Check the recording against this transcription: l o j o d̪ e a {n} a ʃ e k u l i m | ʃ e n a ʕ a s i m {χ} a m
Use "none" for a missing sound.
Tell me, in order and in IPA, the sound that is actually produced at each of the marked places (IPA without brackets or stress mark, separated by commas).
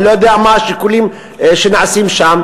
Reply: m, ʃ